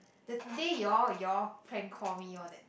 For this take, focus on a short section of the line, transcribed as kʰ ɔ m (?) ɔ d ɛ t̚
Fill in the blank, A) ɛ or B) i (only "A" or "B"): B